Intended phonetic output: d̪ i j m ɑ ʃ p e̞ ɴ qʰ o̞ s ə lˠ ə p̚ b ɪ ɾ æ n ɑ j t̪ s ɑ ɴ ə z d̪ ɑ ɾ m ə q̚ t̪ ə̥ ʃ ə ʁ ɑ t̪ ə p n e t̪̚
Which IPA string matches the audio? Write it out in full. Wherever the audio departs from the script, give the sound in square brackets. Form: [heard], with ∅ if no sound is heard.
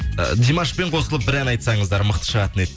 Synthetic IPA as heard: d̪ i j m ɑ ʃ p e̞ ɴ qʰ o̞ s ə lˠ ə p̚ b ɪ ɾ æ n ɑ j t̪ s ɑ ɴ ə z d̪ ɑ ɾ m ə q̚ t̪ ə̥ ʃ ə ʁ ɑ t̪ ə [∅] n e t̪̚